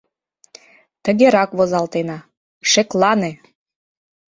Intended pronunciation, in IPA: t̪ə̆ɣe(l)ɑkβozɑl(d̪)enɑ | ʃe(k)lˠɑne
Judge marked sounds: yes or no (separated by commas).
no, no, yes